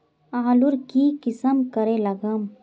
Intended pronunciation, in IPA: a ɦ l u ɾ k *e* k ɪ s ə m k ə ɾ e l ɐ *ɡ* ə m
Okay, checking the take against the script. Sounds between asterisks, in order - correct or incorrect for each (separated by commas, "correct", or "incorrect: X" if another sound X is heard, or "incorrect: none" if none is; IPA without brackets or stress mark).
incorrect: i, correct